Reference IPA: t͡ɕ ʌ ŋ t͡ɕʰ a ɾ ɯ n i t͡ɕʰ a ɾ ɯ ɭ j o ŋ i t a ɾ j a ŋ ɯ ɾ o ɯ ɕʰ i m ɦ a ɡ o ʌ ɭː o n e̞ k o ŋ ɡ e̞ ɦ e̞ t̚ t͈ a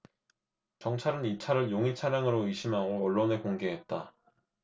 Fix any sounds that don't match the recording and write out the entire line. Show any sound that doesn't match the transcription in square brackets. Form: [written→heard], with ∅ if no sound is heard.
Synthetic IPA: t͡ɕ ʌ ŋ t͡ɕʰ a ɾ ɯ n i t͡ɕʰ a ɾ ɯ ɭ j o ŋ i [t→t͡ɕʰ] a ɾ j a ŋ ɯ ɾ o ɯ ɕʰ i m ɦ a ɡ o ʌ ɭː o n e̞ k o ŋ ɡ e̞ ɦ e̞ t̚ t͈ a